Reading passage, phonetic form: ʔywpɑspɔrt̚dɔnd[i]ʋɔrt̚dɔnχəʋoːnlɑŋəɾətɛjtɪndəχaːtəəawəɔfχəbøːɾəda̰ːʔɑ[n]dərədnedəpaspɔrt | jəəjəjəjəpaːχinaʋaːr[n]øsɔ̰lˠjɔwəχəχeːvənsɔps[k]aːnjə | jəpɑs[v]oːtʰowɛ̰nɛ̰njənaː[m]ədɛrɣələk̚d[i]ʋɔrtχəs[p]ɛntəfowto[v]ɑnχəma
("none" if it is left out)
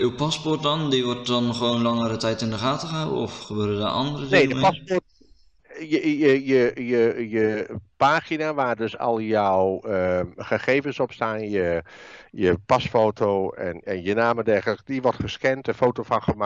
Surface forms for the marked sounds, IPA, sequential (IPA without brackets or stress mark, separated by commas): i, n, d, t, f, m, i, k, f